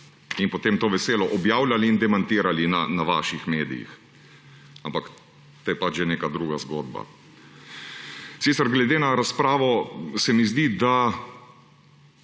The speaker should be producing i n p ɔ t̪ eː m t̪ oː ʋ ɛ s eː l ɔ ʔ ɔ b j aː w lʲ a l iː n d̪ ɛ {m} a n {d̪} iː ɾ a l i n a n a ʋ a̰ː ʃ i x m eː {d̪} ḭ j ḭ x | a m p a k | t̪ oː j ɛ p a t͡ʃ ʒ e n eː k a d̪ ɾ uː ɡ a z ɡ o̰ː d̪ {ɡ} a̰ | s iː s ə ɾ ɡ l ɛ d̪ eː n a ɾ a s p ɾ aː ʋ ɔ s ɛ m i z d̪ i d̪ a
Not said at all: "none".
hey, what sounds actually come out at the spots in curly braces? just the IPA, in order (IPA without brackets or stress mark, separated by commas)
m, t̪, d̪, b